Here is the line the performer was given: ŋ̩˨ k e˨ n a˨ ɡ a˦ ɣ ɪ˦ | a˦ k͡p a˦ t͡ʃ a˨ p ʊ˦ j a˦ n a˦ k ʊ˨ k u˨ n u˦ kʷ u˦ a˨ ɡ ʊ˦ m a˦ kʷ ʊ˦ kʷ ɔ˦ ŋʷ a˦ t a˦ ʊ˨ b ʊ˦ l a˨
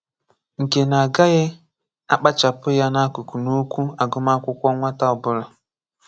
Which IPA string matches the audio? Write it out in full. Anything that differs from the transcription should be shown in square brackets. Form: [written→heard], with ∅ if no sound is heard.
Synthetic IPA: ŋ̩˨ k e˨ n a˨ ɡ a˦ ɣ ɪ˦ | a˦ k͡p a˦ t͡ʃ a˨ p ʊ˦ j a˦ n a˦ k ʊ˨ k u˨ n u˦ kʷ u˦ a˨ ɡ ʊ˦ m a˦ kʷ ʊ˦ kʷ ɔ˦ ŋʷ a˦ t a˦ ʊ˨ b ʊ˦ l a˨